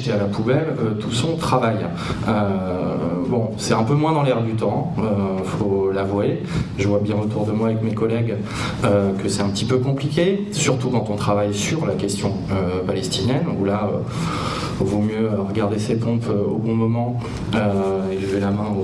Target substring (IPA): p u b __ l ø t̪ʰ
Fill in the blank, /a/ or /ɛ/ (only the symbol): ɛ